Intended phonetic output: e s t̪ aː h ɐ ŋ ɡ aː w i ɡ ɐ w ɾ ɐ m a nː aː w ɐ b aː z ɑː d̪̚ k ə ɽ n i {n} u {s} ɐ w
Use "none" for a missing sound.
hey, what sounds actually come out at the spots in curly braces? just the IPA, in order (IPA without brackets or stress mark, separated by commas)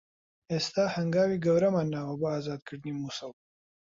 m, s